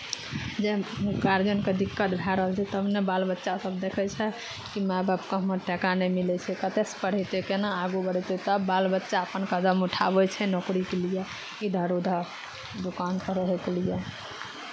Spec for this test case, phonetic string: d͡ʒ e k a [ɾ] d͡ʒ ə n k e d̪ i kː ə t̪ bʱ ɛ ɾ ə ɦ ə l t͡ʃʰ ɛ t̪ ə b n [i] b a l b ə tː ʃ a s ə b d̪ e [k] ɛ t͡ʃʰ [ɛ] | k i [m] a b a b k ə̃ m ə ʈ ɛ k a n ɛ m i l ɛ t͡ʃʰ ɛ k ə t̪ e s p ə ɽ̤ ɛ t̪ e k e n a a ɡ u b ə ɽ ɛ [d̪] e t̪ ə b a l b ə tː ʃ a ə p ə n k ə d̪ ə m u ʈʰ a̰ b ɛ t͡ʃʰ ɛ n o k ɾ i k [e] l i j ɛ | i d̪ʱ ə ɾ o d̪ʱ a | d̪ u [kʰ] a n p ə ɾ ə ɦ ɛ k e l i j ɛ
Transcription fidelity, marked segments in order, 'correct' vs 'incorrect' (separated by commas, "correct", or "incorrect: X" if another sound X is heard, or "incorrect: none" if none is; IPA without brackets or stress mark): correct, incorrect: e, incorrect: kʰ, correct, correct, incorrect: t̪, correct, incorrect: k